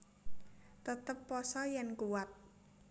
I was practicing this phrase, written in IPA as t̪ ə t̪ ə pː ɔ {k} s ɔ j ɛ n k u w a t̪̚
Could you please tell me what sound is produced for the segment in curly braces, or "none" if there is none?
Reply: none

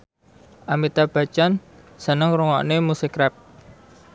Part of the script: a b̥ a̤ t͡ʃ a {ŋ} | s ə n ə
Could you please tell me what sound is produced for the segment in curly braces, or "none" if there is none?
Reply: n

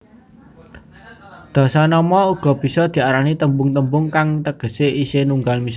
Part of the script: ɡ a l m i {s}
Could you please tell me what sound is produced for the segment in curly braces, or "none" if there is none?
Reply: s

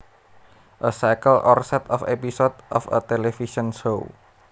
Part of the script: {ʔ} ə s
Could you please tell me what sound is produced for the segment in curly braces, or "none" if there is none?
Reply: ʔ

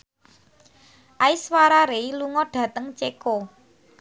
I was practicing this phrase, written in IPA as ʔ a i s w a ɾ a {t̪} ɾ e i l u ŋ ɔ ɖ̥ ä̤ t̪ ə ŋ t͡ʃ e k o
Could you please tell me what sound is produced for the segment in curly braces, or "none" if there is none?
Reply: none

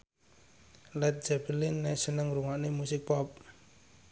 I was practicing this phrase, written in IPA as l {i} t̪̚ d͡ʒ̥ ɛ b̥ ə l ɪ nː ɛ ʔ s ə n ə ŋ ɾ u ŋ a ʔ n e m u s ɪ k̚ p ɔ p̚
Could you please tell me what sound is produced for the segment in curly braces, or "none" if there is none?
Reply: ɛ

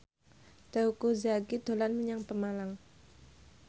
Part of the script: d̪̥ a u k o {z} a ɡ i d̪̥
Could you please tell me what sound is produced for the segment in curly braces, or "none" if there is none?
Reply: z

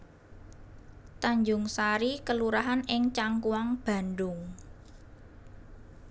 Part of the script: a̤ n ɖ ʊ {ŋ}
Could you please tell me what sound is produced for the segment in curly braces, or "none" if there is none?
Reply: ŋ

